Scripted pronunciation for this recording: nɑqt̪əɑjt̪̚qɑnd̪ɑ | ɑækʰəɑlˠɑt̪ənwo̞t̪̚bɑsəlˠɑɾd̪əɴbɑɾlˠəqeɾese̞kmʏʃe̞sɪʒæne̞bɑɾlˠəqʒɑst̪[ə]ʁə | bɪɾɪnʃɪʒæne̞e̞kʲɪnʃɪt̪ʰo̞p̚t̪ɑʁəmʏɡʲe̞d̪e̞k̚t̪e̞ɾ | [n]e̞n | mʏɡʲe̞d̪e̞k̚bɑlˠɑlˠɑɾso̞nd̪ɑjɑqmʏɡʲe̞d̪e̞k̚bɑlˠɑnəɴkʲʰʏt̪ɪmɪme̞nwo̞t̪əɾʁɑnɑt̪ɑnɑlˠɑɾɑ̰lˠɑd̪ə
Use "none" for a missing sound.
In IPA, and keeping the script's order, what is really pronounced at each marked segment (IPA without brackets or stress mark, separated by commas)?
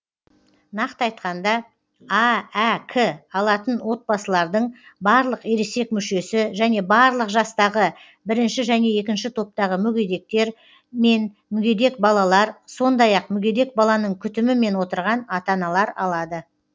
ɑ, m